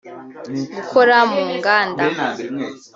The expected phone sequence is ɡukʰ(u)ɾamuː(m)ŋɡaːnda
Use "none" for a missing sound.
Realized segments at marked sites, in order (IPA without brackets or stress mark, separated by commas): o, none